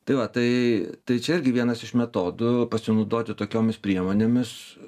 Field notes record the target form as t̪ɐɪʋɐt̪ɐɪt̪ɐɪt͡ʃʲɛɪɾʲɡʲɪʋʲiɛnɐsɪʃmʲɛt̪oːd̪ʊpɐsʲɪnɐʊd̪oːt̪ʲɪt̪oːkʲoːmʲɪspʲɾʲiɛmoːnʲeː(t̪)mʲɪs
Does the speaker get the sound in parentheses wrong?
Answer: yes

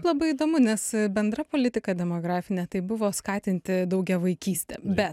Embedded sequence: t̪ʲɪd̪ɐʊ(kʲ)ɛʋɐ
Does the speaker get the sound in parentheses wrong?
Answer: yes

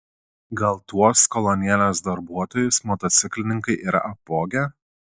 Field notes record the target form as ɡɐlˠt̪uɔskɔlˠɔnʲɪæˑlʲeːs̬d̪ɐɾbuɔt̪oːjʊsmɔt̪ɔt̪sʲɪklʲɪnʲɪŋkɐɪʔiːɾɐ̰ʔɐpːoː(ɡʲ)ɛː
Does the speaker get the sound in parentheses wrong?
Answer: no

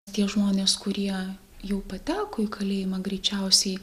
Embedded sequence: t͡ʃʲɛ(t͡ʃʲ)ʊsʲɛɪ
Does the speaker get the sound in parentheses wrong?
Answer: yes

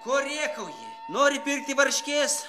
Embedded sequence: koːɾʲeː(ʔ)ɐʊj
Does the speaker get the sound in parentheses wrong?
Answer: yes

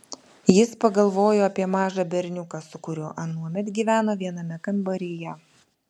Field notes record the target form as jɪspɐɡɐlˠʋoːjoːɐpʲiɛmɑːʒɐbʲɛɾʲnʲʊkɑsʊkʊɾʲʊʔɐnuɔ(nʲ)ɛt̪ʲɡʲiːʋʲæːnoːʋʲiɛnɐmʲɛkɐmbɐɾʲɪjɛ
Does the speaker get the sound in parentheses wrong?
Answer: yes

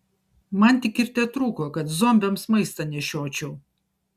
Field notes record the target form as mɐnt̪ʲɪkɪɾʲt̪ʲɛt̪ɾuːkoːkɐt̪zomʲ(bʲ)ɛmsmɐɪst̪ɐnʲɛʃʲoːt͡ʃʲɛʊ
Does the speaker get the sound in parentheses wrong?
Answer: no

